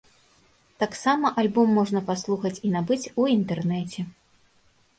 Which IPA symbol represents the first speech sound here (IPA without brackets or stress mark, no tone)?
t̪